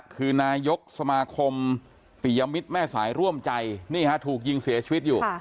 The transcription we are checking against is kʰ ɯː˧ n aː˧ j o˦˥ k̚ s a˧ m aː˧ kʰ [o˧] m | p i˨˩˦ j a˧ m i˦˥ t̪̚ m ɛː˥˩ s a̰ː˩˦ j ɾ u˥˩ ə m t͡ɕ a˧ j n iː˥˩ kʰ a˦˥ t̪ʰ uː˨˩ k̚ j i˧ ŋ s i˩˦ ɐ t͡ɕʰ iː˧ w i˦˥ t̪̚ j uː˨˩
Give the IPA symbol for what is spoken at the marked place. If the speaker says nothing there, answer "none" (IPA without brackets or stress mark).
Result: o˧